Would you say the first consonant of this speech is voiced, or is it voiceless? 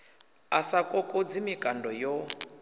voiceless